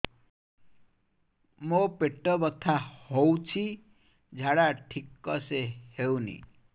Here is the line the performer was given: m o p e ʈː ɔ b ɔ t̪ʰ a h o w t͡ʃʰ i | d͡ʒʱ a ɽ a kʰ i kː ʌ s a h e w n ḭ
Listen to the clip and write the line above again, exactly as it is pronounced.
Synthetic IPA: m o p e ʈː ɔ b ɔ t̪ʰ a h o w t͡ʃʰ i | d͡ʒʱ a ɽ a ʈʰ i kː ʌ s e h e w n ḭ